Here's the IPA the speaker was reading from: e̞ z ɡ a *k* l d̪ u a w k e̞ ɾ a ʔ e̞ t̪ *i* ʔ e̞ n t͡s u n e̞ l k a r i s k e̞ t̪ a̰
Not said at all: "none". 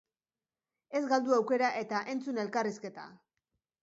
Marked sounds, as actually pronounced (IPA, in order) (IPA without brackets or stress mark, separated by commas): none, a